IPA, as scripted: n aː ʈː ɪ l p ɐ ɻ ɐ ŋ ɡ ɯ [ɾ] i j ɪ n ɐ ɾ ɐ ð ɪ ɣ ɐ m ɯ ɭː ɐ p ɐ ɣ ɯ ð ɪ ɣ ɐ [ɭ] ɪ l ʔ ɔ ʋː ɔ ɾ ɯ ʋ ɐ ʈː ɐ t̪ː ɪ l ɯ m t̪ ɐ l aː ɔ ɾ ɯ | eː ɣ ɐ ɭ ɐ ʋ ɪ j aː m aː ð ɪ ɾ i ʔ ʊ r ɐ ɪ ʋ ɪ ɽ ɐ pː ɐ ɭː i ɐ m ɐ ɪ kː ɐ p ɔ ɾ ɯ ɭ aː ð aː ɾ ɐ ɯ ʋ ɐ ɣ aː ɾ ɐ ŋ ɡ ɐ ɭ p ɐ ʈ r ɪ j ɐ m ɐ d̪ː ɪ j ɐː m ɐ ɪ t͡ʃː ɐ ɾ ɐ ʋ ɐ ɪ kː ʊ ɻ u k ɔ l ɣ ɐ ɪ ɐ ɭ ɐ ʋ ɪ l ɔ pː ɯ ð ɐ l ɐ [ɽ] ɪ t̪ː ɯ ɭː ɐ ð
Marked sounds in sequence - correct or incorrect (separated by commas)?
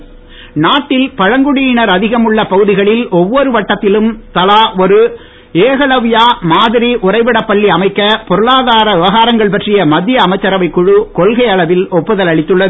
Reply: incorrect, correct, incorrect